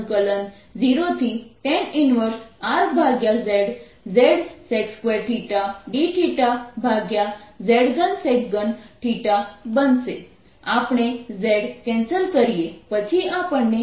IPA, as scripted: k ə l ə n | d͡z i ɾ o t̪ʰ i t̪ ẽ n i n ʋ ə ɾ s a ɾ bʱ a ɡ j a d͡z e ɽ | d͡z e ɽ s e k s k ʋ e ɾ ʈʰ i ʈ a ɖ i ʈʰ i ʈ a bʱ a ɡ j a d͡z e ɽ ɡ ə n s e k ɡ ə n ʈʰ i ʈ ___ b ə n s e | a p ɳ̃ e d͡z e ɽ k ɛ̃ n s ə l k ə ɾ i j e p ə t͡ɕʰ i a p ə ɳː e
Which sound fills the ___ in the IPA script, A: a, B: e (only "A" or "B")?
A